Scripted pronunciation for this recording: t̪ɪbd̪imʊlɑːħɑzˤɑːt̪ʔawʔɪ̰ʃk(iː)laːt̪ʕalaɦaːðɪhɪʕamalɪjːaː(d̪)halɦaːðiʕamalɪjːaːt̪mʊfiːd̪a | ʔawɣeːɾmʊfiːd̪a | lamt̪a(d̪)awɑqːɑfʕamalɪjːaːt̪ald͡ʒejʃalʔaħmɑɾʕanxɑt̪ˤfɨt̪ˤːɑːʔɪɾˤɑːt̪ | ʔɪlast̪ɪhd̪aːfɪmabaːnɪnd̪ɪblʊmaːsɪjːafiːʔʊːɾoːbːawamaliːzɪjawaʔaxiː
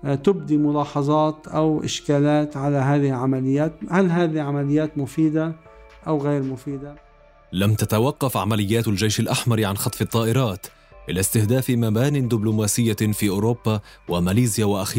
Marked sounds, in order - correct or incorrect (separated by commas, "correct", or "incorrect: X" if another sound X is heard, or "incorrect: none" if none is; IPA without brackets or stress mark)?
incorrect: aː, incorrect: t̪, incorrect: t̪